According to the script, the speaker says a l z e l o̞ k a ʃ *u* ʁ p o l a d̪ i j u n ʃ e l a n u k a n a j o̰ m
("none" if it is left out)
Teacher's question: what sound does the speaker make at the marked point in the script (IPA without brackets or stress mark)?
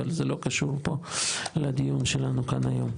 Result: u